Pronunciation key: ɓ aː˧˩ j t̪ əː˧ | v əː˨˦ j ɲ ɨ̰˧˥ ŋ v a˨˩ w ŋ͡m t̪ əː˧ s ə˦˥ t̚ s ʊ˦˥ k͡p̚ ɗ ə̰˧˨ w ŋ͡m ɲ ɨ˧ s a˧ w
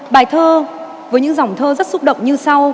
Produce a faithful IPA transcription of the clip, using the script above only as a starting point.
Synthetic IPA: ɓ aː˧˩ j t̪ʰ əː˧ | v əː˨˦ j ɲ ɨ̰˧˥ ŋ z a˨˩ w ŋ͡m t̪ʰ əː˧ z ə˦˥ t̚ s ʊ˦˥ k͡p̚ ɗ ə̰˧˨ w ŋ͡m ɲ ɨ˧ s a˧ w